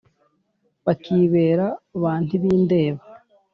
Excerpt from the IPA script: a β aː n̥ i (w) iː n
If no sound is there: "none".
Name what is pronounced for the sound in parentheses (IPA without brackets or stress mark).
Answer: β